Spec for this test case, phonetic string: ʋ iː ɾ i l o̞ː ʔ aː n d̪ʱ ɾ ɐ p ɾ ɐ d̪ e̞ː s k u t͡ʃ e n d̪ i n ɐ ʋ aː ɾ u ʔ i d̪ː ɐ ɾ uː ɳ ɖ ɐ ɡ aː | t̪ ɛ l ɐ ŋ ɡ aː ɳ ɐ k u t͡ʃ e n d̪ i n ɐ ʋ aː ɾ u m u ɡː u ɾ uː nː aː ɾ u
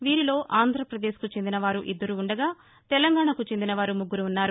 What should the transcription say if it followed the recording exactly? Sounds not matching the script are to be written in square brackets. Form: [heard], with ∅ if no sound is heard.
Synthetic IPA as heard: ʋ iː ɾ i l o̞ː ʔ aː n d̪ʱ ɾ ɐ p ɾ ɐ d̪ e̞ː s k u t͡ʃ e n d̪ i n ɐ ʋ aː ɾ u ʔ i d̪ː ɐ ɾ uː ɳ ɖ ɐ ɡ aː | t̪ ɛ l ɐ ŋ ɡ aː ɳ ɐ k u t͡ʃ e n d̪ i n ɐ ʋ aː ɾ u m u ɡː u ɾ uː nː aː ɾ u